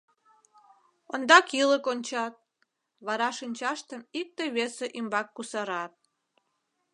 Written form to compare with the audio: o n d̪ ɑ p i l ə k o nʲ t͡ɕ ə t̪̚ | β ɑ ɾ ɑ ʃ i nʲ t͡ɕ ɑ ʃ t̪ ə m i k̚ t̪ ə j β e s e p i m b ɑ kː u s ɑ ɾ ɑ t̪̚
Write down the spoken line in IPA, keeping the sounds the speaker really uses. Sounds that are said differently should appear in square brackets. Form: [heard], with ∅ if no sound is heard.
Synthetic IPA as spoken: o n d̪ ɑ [k] i l ə k o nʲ t͡ɕ [ɑ] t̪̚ | β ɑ ɾ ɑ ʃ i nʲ t͡ɕ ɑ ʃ t̪ ə m i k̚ t̪ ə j β e s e [ʔ] i m b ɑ kː u s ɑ ɾ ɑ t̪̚